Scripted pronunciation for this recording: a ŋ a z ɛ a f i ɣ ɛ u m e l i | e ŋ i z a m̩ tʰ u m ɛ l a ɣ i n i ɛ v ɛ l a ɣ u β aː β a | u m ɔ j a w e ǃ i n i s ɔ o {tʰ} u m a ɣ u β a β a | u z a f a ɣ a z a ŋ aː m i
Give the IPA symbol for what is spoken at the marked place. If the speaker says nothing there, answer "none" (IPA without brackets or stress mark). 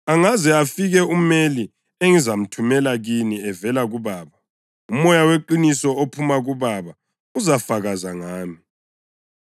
pʰ